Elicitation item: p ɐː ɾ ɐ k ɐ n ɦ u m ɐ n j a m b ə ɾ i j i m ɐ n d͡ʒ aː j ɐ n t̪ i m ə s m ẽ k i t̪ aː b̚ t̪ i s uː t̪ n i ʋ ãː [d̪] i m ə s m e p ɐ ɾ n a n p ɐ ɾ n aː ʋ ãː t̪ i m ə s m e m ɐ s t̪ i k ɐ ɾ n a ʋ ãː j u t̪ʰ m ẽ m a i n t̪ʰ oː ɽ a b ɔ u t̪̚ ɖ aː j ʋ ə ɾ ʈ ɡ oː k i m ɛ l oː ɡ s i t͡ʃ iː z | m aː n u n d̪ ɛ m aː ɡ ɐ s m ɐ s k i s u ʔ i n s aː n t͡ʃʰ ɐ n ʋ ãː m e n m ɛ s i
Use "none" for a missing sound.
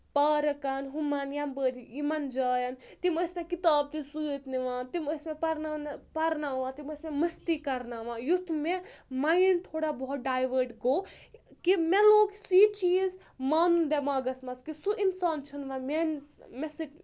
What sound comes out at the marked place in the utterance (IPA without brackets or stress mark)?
t̪